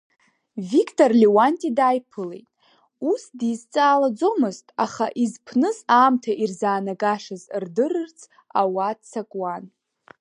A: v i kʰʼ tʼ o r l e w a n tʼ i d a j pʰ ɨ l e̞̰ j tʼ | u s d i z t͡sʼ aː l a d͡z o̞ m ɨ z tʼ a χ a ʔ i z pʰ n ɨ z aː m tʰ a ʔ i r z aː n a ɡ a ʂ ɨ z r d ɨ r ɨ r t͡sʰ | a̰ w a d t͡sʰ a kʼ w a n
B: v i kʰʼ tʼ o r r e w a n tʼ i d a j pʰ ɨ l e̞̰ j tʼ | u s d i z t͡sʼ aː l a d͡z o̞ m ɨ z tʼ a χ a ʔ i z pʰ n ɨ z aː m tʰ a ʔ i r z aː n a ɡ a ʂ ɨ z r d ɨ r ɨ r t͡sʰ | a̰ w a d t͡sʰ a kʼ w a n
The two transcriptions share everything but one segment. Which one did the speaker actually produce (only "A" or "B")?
A